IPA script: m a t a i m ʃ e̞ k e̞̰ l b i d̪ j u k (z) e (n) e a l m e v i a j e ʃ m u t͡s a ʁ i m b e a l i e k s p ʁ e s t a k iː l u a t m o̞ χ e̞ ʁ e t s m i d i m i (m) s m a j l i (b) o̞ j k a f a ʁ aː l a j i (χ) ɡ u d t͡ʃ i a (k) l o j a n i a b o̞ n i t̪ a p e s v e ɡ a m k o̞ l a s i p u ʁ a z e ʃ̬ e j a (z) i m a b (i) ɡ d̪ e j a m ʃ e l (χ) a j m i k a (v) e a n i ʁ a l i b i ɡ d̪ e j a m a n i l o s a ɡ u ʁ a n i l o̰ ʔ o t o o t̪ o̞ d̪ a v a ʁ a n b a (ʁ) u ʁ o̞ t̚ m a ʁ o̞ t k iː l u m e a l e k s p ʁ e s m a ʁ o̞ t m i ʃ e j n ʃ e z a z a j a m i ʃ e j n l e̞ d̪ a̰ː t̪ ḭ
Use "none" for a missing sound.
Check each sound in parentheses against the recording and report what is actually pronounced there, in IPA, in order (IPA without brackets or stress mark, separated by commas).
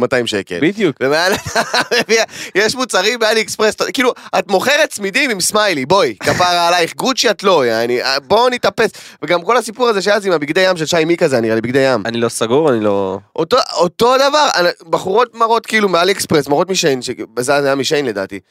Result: v, m, m, b, χ, t, z, i, ʃ, z, χ